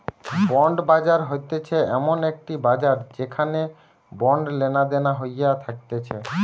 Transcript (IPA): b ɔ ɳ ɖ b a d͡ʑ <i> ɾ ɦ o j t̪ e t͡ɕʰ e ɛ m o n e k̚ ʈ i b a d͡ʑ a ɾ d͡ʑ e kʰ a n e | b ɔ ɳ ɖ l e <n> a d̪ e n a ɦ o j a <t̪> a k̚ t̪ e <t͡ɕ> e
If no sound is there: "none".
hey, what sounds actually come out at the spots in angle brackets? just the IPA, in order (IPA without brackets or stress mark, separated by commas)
a, n, t̪ʰ, t͡ɕʰ